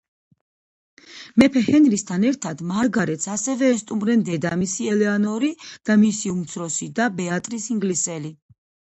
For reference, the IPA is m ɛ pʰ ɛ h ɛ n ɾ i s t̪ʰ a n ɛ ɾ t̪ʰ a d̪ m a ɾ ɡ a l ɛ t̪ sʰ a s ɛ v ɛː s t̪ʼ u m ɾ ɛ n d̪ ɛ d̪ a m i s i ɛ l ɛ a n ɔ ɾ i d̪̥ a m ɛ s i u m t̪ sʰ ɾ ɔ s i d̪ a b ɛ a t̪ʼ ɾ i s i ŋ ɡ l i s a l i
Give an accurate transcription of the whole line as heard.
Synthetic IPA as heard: m ɛ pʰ ɛ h ɛ n ɾ i s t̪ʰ a n ɛ ɾ t̪ʰ a d̪ m a ɾ ɡ a ɾ ɛ t̪ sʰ a s ɛ v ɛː s t̪ʼ u m ɾ ɛ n d̪ ɛ d̪ a m i s i ɛ l ɛ a n ɔ ɾ i d̪̥ a m i s i u m t̪ sʰ ɾ ɔ s i d̪ a b ɛ a t̪ʼ ɾ i s i ŋ ɡ l i s ɛ l i